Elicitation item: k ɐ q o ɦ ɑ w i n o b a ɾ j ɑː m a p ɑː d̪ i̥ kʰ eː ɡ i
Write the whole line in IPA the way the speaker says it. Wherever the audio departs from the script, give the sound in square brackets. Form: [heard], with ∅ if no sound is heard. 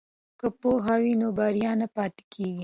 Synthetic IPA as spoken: k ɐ [p] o ɦ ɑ w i n o b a ɾ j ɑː [n] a p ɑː [t̪] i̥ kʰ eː ɡ i